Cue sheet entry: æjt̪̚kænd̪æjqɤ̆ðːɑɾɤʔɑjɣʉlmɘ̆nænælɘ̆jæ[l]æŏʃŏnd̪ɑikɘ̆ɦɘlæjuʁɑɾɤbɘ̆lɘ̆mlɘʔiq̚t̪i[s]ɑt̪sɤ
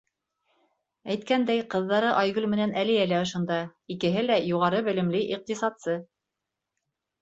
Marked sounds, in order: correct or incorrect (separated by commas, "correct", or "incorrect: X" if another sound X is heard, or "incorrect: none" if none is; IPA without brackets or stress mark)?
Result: correct, correct